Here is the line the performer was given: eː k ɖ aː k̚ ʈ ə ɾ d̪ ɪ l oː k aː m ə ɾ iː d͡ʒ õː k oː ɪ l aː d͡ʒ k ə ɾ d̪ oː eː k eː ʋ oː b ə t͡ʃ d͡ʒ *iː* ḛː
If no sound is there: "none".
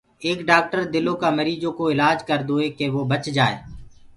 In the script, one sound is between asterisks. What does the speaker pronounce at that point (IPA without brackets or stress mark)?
aː